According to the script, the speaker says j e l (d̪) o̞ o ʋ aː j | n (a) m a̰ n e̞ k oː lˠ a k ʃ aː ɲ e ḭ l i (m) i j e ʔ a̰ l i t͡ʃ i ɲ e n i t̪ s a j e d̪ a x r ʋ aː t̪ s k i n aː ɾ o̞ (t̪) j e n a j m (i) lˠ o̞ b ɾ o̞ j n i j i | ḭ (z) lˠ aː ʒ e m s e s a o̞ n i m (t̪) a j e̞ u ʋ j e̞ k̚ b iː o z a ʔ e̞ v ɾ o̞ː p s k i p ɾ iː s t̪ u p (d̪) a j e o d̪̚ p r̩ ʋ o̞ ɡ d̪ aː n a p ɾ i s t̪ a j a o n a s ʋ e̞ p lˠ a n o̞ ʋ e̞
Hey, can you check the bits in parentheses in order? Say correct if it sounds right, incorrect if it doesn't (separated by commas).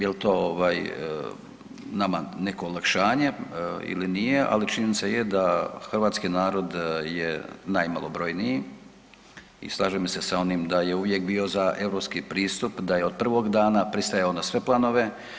incorrect, correct, incorrect, incorrect, incorrect, incorrect, incorrect, correct